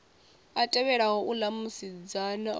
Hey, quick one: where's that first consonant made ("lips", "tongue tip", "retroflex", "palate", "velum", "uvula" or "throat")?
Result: tongue tip